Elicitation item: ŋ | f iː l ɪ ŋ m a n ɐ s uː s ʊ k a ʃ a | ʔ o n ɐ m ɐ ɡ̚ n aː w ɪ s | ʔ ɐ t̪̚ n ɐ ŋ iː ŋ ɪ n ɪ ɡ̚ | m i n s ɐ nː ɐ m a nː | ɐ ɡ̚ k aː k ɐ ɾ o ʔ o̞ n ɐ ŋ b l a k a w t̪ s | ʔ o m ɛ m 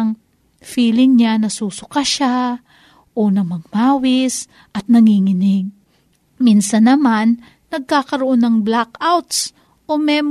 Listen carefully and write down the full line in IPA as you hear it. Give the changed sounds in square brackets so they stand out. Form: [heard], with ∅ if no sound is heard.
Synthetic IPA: ŋ | f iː l ɪ ŋ [ɲ] a n ɐ s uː s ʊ k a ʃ a | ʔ o n ɐ m ɐ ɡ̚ [m] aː w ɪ s | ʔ ɐ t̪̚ n ɐ ŋ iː ŋ ɪ n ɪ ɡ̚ | m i n s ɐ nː ɐ m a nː | ɐ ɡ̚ k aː k ɐ ɾ o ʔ o̞ n ɐ ŋ b l a k a w t̪ s | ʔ o m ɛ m